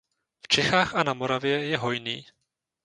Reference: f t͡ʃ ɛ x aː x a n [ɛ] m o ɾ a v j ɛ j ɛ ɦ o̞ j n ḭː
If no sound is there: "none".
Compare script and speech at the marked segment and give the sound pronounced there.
a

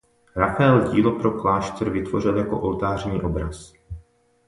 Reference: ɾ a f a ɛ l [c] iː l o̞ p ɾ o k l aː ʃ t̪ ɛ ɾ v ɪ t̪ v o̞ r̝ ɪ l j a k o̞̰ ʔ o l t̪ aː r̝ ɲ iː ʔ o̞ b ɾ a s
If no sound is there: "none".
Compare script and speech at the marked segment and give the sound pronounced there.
ɟ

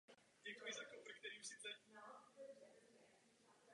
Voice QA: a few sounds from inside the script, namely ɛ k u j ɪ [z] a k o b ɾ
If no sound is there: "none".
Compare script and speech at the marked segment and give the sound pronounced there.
z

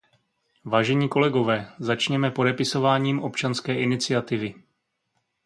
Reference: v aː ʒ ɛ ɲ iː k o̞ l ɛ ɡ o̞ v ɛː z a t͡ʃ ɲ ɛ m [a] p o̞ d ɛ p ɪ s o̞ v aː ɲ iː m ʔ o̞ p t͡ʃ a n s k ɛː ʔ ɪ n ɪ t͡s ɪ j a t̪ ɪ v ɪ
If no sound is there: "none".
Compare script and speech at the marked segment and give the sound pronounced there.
ɛ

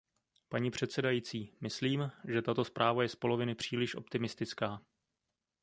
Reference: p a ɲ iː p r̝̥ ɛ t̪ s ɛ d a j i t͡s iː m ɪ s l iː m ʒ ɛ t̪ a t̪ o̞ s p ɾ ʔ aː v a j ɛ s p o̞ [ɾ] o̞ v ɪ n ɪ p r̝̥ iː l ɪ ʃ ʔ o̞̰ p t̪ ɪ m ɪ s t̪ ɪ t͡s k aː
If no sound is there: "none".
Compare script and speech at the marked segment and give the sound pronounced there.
l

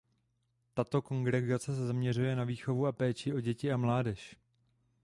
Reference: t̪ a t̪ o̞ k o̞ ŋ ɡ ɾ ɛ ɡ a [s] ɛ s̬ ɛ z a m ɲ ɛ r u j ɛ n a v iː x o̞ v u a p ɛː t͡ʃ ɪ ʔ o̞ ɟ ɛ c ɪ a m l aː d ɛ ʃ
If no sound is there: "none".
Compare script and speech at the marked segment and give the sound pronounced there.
t͡s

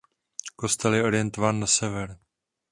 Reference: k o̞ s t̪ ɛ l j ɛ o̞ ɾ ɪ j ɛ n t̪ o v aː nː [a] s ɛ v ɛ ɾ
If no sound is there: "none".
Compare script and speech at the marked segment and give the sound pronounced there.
a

